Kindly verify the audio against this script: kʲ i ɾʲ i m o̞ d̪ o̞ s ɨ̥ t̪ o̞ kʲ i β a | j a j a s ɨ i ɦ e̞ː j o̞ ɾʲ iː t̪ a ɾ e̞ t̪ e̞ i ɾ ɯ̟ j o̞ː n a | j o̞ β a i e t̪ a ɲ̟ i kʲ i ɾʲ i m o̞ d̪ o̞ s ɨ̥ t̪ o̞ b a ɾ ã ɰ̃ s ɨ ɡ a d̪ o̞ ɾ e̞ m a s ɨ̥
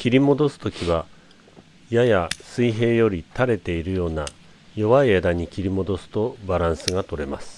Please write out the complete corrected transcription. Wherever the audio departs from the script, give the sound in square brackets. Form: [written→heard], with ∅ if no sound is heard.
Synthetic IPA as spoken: kʲ i ɾʲ i m o̞ d̪ o̞ s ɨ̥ t̪ o̞ kʲ i β a | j a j a s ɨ i ɦ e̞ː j o̞ ɾʲ [iː→i] t̪ a ɾ e̞ t̪ e̞ i ɾ ɯ̟ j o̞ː n a | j o̞ β a i e [t̪→d̪] a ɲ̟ i kʲ i ɾʲ i m o̞ d̪ o̞ s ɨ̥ t̪ o̞ b a ɾ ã ɰ̃ s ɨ ɡ a [d̪→t̪] o̞ ɾ e̞ m a s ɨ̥